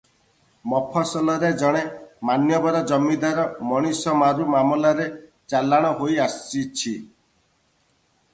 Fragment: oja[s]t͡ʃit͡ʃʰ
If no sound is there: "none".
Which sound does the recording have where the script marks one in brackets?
s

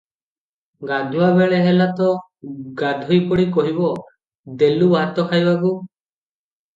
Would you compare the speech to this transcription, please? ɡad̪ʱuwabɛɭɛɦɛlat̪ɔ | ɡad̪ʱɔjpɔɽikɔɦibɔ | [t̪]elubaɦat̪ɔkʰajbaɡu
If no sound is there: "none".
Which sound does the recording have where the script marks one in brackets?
d̪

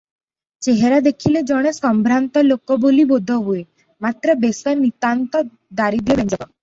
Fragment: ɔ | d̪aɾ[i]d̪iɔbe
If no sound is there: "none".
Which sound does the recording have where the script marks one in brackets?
i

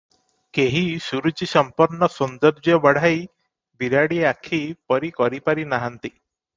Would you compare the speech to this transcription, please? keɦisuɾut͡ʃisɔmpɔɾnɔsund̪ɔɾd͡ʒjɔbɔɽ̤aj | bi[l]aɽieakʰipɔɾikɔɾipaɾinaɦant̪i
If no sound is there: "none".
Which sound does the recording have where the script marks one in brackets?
ɾ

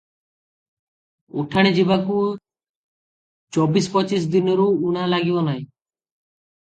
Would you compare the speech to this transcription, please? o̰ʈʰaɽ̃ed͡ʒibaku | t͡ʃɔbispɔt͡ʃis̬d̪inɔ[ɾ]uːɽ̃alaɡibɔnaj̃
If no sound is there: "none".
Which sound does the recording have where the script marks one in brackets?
ɾ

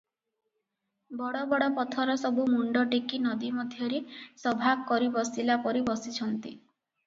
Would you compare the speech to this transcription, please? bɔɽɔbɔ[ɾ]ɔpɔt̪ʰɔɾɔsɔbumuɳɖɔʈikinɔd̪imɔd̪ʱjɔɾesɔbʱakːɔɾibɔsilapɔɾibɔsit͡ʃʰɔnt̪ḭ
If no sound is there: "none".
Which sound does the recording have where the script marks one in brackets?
ɽ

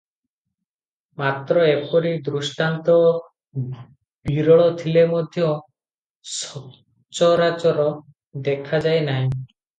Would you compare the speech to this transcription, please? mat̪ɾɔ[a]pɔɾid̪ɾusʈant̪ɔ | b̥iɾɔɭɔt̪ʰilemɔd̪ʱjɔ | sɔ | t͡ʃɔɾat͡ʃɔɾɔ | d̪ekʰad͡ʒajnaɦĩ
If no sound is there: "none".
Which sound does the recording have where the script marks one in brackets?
e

